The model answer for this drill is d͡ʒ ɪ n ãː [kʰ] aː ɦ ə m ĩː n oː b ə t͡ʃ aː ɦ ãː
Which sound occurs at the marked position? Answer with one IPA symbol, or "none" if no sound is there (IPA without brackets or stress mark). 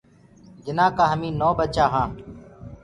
k